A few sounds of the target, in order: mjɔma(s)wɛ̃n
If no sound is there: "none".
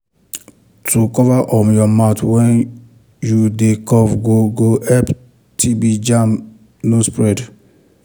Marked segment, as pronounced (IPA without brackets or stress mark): t